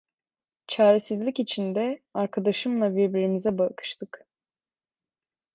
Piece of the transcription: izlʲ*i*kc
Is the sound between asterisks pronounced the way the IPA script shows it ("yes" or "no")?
yes